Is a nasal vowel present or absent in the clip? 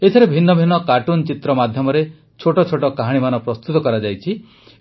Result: absent